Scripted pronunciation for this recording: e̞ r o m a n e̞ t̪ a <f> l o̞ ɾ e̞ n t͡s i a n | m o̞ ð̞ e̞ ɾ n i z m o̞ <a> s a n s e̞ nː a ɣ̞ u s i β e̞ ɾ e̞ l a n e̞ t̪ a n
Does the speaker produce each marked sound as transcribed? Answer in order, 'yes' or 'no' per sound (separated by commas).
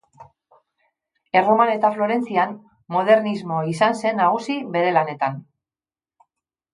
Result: yes, no